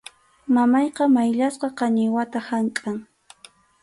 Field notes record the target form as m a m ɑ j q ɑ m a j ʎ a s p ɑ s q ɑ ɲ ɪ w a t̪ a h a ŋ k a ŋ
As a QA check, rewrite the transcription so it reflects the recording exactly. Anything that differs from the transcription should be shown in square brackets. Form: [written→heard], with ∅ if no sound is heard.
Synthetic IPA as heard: m a m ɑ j q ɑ m a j ʎ a s [p→q] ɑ [s→∅] q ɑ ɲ ɪ w a t̪ a h a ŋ [k→kʼ] a ŋ